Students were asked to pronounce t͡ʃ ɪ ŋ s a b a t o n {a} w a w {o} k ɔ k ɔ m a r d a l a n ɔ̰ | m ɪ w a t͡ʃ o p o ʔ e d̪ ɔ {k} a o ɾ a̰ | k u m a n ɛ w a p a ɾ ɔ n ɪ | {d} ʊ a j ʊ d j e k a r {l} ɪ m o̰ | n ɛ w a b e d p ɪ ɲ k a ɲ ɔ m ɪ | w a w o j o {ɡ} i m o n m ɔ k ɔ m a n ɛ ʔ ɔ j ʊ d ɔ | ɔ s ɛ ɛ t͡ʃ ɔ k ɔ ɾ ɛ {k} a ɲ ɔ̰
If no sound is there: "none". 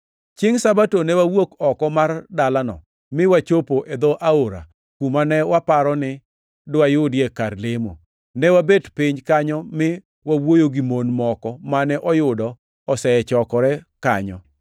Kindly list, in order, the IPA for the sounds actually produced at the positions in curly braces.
ɛ, o, ʔ, d, l, ɡ, k

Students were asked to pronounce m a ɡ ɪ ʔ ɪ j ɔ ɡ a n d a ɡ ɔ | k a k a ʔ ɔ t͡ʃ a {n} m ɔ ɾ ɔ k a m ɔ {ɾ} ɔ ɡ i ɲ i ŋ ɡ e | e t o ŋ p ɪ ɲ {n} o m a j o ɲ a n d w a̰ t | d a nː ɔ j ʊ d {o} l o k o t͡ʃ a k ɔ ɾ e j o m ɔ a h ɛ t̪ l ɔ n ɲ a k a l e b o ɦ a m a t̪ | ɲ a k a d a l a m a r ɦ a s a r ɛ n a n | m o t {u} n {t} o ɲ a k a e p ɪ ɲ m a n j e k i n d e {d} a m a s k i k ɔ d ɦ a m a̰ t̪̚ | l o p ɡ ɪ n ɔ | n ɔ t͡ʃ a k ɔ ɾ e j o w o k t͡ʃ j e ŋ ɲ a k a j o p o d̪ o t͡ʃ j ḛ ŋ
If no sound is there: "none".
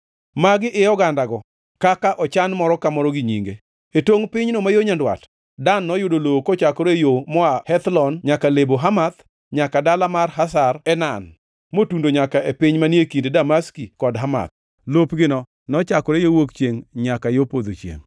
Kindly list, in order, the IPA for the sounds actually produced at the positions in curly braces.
n, ɾ, n, o, u, d, d

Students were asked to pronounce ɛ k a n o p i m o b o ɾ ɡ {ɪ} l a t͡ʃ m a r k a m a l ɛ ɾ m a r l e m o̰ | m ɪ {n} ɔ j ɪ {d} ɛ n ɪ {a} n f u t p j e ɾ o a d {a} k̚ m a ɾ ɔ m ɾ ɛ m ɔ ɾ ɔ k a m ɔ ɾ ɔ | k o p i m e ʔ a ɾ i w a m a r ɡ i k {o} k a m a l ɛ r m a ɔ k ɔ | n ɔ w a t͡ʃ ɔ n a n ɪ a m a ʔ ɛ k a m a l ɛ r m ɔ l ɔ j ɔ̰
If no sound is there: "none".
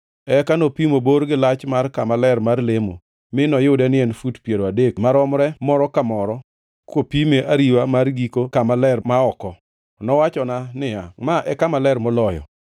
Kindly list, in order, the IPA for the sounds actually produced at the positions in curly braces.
ɪ, n, d, ɛ, e, o

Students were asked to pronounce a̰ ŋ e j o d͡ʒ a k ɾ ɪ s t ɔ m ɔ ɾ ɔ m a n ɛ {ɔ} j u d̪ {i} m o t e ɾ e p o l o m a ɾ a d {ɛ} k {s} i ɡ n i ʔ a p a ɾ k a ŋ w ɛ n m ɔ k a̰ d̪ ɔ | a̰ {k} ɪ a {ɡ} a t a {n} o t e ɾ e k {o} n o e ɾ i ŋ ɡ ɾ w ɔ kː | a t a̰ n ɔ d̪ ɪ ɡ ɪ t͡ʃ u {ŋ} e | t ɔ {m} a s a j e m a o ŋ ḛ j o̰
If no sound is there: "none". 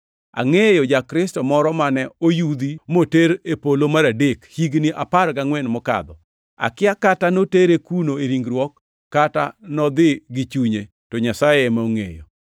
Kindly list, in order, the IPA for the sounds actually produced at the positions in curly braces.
o, i, e, h, k, k, n, u, ɲ, ɲ

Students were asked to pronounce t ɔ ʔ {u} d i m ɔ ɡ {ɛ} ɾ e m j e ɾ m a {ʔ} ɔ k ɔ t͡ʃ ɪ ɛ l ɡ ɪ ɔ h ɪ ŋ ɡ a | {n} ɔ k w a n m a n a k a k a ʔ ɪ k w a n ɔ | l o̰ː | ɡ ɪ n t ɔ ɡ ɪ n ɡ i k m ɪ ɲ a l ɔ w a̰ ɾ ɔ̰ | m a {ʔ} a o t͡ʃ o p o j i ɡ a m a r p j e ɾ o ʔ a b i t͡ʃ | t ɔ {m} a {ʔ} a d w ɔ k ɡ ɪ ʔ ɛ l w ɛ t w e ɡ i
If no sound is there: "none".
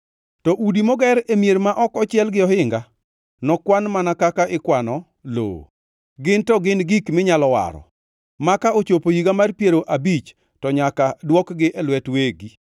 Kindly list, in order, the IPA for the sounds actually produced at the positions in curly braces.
u, ɛ, ʔ, n, k, ɲ, k

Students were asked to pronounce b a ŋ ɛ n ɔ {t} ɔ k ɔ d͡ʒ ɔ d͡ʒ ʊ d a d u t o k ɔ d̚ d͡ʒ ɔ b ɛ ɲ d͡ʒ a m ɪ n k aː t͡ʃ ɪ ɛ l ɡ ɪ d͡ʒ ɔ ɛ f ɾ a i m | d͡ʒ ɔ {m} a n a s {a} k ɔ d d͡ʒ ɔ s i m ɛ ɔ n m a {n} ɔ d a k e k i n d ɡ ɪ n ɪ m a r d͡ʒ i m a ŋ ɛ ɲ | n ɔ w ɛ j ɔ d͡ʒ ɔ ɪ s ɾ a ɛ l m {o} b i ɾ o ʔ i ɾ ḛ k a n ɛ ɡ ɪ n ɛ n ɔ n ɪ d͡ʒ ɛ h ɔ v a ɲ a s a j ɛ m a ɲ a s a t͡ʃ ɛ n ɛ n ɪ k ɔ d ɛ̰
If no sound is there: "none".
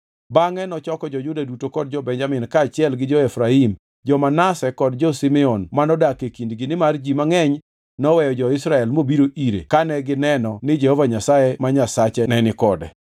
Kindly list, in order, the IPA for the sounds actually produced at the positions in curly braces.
t͡ʃ, m, ɛ, n, o

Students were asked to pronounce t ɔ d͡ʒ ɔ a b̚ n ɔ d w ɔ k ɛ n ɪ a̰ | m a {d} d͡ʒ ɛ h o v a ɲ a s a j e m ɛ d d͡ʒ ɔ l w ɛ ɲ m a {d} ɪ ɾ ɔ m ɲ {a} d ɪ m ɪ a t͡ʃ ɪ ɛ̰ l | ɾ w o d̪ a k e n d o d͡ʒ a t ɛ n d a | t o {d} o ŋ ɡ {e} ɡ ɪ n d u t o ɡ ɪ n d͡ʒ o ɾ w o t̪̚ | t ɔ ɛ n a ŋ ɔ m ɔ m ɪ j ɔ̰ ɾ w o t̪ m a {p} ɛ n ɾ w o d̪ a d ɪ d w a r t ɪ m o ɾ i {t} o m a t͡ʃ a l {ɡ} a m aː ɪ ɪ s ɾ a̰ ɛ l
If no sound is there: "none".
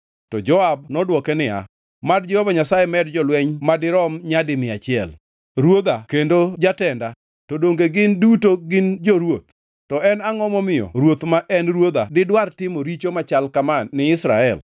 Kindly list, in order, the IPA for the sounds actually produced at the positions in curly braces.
d, d, a, d, e, ʔ, t͡ʃ, k

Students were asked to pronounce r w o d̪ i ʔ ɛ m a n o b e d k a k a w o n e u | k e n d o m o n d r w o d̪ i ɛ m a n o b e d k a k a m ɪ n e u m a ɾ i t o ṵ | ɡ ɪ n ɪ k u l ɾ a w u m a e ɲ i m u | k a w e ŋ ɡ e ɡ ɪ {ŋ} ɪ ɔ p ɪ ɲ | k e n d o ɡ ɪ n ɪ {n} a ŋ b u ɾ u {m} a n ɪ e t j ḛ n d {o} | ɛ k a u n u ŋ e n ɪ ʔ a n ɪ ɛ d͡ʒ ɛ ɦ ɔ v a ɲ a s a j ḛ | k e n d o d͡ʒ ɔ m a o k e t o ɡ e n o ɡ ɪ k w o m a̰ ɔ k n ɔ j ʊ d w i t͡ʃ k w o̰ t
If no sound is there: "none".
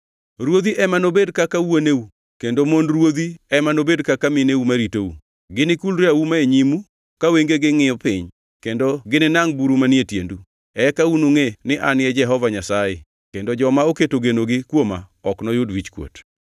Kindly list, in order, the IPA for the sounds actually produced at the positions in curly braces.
ŋ, n, m, u

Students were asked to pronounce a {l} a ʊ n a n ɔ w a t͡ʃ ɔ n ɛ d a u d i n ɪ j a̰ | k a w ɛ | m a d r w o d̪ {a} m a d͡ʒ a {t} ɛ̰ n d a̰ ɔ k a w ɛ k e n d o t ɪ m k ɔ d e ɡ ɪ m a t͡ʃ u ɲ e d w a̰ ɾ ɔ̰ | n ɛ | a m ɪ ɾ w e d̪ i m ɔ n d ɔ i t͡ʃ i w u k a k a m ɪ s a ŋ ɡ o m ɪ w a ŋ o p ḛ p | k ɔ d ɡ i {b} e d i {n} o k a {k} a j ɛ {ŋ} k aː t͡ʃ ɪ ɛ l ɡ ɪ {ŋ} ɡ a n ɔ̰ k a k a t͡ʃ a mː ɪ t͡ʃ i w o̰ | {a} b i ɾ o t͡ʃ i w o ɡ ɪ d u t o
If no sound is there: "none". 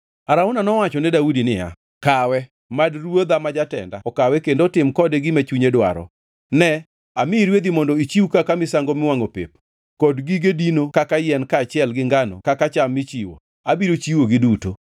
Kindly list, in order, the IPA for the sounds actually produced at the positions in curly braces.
ɾ, a, t, ɡ, n, k, n, ŋ, a

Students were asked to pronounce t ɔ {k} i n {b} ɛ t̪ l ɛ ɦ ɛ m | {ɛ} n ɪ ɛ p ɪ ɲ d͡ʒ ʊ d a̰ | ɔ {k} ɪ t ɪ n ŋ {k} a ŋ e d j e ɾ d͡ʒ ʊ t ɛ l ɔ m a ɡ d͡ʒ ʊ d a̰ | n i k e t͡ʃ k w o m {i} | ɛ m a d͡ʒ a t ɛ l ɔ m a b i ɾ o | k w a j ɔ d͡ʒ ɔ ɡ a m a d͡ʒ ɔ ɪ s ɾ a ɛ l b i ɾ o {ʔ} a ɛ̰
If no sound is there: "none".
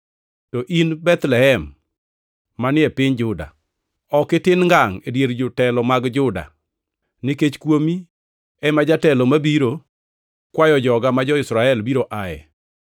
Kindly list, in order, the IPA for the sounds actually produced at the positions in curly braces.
ʔ, b, a, k, ɡ, i, ʔ

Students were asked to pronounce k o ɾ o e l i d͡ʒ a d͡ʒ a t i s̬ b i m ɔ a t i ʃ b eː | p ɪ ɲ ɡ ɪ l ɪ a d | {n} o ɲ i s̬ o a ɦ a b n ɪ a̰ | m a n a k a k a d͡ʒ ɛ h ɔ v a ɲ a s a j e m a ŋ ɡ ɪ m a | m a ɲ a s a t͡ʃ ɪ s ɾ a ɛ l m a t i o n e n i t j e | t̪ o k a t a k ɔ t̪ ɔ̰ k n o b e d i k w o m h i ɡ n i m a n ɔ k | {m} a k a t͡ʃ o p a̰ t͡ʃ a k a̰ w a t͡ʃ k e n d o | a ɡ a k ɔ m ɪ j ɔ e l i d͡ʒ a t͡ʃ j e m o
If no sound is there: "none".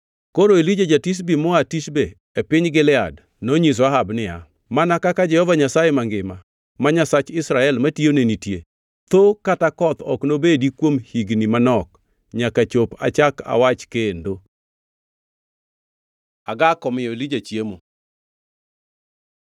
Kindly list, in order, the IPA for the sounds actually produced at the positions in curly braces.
n, ɲ

